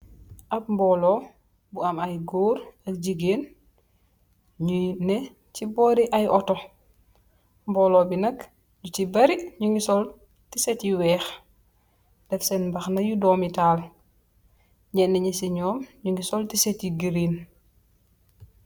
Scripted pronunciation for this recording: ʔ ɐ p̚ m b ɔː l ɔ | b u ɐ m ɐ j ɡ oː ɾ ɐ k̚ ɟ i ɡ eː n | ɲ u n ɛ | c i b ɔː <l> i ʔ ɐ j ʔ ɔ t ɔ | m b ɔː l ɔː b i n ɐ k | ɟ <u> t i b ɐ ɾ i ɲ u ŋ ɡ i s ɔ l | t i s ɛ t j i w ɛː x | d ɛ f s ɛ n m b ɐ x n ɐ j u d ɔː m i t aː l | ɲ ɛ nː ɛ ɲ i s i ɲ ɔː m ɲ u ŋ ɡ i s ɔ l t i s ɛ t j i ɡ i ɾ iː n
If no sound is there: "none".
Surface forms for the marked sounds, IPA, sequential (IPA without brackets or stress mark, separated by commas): ɾ, u